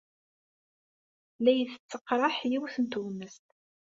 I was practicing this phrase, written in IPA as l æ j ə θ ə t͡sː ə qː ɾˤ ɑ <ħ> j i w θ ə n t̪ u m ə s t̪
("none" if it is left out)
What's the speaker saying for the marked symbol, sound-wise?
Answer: ħ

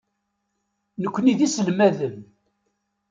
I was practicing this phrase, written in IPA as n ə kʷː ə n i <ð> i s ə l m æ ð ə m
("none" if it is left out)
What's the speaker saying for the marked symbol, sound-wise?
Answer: ð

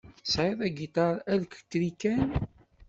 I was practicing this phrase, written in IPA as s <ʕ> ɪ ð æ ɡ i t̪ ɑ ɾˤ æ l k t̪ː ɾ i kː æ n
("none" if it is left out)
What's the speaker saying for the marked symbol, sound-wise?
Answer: ʕ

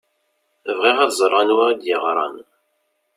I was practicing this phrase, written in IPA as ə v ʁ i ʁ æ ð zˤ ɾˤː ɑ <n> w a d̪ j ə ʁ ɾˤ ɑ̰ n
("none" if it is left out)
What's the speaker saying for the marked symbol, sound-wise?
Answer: n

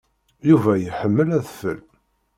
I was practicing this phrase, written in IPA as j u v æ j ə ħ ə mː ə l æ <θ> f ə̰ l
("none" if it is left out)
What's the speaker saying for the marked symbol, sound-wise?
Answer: ð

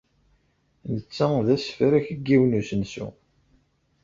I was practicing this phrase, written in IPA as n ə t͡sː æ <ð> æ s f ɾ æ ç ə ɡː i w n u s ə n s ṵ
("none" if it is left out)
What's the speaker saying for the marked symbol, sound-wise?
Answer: ð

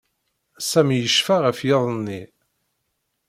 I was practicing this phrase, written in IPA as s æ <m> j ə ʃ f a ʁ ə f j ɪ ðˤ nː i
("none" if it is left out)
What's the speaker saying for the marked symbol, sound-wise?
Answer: m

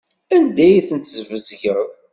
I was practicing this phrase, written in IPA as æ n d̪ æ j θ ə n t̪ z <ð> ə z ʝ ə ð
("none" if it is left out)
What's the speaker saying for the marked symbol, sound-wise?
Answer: v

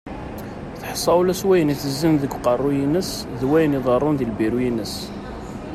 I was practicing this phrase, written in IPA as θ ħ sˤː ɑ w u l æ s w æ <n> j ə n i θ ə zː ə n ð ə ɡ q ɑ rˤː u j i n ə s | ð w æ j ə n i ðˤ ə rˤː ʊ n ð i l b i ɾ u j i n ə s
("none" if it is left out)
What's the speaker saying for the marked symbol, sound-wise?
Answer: none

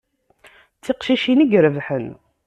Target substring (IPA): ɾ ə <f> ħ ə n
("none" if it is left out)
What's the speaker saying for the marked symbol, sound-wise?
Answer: v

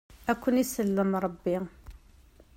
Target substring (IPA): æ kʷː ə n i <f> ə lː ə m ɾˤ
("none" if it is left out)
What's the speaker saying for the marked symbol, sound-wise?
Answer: s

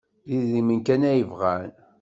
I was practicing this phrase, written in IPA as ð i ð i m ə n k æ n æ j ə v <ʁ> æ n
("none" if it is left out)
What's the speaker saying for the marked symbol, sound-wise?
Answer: ʁ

